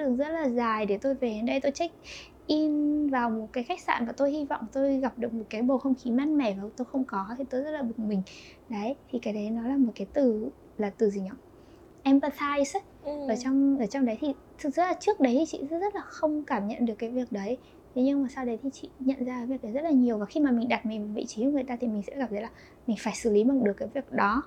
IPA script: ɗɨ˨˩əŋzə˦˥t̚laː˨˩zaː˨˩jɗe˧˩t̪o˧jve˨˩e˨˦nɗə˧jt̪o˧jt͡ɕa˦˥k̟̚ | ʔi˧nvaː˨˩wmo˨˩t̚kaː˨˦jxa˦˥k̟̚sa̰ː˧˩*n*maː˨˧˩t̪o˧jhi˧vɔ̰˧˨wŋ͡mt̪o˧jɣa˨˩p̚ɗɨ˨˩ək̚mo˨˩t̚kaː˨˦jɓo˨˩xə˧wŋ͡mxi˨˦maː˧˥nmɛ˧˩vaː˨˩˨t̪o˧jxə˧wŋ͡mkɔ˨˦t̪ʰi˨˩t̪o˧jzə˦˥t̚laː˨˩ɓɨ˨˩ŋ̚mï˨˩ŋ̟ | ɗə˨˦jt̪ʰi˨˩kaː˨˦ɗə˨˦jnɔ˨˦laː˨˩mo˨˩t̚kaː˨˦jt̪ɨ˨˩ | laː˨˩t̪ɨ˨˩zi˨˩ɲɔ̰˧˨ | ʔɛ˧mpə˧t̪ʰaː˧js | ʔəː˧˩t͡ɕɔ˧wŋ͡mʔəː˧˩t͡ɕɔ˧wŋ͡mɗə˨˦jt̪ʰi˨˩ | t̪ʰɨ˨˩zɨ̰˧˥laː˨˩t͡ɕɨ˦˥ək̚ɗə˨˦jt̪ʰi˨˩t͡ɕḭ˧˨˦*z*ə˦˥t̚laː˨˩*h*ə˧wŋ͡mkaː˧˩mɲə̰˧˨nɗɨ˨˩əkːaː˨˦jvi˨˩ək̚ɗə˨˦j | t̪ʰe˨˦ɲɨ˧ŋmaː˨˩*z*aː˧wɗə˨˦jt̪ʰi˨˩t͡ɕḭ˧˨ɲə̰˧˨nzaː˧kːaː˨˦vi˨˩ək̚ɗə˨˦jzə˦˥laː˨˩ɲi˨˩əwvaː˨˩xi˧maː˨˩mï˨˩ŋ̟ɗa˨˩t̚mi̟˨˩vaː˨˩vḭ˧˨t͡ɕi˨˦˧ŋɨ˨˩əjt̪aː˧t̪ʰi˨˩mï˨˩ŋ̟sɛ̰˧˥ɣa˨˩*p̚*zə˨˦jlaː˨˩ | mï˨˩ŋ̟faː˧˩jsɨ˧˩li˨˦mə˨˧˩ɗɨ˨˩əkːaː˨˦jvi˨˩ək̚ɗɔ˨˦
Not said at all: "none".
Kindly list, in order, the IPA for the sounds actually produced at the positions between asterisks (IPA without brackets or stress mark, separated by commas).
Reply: n, z, x, s, p̚